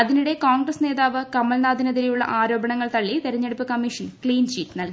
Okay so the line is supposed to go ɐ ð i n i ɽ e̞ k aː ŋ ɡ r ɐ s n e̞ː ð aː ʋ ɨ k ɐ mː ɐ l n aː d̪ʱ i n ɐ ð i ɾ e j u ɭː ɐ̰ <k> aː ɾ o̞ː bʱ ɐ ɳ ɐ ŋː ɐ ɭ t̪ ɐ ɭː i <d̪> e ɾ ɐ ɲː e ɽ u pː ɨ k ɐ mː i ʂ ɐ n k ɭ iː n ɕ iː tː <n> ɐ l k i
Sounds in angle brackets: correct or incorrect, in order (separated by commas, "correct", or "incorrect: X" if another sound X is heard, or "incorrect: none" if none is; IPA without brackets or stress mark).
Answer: incorrect: ʔ, incorrect: t̪, correct